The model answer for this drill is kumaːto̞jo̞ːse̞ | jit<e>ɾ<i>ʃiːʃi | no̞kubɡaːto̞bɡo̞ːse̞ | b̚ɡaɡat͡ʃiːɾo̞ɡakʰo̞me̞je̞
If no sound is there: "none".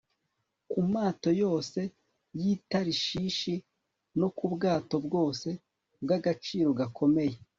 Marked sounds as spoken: a, i

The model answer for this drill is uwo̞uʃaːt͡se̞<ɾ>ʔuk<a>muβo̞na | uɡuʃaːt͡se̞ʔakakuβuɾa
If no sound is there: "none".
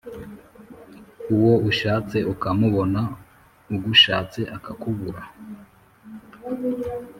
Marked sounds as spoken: none, a

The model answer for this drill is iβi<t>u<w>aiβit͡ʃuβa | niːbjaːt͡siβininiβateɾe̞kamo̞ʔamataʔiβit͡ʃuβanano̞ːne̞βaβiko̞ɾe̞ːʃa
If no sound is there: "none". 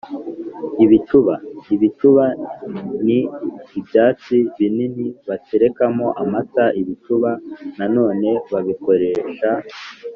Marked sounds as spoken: t͡ʃ, β

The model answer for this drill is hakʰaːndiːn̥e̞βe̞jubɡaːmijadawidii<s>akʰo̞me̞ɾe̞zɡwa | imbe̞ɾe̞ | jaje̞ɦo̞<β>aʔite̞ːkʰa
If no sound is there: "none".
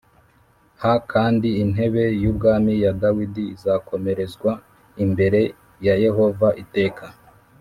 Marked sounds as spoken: z, v

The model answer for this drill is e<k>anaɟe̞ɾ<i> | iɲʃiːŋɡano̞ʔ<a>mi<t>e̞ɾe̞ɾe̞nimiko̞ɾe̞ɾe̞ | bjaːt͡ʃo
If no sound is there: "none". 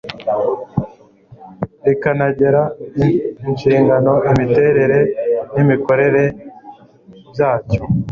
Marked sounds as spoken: k, a, i, t

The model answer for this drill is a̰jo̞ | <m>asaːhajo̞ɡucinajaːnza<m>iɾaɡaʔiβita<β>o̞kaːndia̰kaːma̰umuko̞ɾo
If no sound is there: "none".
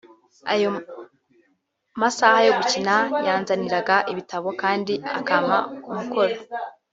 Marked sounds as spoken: m, n, β

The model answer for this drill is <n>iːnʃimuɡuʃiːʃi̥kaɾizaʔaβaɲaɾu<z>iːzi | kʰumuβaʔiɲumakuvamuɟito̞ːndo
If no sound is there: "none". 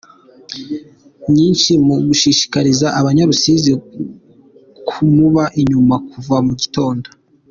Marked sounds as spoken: ɲ, s

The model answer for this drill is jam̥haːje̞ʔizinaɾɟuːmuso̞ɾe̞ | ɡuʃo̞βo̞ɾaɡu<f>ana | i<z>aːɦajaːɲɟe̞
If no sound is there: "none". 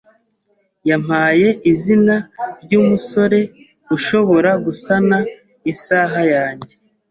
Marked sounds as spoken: s, s

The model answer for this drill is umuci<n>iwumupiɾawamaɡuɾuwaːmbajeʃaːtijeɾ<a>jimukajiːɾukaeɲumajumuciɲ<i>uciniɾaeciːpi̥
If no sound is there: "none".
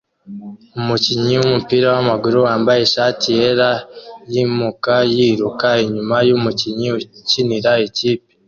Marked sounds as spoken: ɲ, a, i

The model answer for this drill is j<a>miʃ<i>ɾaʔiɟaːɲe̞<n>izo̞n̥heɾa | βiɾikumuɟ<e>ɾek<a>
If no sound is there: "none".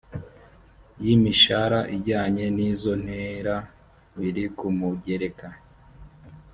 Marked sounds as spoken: i, a, n, e, a

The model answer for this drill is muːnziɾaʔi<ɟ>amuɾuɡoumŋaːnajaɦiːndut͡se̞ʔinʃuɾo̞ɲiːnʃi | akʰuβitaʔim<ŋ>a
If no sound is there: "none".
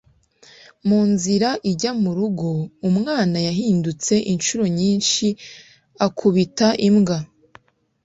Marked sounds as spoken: ɟ, ɡ

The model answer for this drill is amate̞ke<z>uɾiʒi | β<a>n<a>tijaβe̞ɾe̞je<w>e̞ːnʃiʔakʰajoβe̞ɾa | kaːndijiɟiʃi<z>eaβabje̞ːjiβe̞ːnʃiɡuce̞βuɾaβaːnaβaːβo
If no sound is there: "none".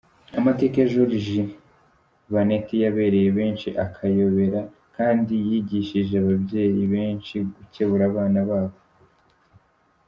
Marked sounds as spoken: ʒ, a, e, β, ʒ

